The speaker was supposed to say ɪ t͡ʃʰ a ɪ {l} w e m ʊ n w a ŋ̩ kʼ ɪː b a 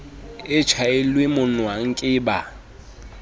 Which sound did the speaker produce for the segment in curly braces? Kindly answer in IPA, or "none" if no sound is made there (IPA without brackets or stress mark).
l